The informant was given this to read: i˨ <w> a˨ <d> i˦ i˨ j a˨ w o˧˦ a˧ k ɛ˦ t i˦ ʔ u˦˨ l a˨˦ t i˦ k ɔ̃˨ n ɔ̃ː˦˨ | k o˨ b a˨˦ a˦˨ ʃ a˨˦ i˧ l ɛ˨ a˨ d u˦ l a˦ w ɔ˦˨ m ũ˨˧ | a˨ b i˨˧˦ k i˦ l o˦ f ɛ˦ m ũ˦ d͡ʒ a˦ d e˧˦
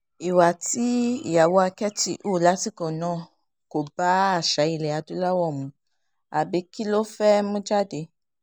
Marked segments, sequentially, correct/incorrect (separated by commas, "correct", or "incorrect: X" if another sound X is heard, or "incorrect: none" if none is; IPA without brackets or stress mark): correct, incorrect: t